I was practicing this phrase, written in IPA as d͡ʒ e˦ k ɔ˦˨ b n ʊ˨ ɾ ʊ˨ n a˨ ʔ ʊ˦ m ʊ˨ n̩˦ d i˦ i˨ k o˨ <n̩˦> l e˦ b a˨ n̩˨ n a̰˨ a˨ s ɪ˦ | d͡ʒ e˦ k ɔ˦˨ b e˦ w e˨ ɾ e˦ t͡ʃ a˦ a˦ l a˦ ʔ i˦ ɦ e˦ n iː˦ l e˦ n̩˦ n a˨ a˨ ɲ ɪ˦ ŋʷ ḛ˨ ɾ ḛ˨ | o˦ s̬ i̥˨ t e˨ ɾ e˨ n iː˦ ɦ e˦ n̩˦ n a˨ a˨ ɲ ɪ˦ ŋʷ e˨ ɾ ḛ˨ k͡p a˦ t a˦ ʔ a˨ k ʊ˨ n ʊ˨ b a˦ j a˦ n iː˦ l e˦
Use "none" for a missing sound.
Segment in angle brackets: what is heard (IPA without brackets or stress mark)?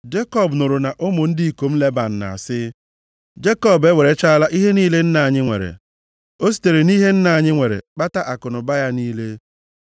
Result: m̩˦